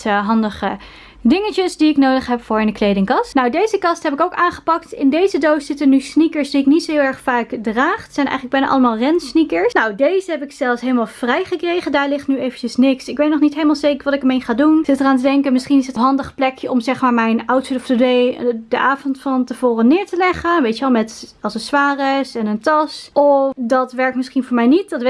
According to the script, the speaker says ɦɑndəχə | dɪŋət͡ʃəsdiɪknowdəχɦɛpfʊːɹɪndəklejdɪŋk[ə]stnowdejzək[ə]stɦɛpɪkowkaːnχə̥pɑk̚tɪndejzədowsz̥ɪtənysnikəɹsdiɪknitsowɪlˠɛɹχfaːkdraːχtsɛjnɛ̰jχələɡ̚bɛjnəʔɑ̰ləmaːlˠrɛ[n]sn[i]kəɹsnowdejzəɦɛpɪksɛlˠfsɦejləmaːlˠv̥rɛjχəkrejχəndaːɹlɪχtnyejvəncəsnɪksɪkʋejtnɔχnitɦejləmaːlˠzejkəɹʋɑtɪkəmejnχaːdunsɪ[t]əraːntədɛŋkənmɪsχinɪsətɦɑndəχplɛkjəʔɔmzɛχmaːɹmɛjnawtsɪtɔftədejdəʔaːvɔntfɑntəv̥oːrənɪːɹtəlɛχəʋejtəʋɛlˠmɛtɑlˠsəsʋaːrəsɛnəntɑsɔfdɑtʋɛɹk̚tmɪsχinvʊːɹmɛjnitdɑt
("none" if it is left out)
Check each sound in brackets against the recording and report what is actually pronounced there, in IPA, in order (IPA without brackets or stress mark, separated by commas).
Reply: ɑ, ɑ, n, i, t